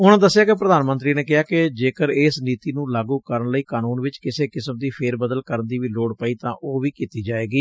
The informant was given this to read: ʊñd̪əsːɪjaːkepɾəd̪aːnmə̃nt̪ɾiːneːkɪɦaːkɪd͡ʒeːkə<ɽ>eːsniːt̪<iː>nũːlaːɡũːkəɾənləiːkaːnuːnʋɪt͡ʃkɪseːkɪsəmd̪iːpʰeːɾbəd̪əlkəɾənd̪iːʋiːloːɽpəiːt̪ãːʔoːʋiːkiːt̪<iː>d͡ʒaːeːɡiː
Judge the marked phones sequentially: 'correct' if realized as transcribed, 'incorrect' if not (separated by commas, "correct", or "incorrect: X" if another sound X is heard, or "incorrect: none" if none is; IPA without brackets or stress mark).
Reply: incorrect: ɾ, correct, correct